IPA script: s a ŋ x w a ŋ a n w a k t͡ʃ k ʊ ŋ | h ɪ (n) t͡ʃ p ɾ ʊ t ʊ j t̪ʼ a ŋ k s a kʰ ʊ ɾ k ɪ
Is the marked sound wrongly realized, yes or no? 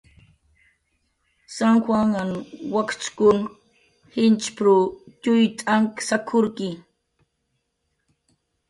no